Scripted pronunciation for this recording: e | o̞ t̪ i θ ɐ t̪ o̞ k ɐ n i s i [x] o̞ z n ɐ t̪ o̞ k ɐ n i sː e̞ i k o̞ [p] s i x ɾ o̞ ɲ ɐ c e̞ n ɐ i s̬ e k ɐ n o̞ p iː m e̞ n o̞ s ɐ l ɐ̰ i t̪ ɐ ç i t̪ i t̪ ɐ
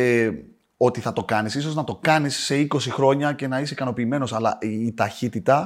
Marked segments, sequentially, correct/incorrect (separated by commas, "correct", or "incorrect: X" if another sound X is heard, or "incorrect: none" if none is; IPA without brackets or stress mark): incorrect: s, incorrect: none